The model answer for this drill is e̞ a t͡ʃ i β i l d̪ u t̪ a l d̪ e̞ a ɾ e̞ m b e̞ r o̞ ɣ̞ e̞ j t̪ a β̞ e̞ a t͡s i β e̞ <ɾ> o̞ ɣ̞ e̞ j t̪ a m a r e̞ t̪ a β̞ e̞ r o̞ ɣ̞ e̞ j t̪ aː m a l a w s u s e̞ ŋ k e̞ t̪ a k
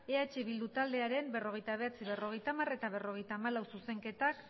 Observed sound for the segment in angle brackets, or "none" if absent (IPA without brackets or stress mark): r